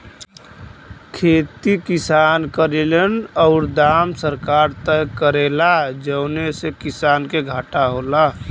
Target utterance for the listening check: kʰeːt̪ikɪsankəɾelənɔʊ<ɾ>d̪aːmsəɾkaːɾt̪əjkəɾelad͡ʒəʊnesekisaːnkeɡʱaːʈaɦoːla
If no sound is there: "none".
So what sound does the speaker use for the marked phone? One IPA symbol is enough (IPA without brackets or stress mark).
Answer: ɾ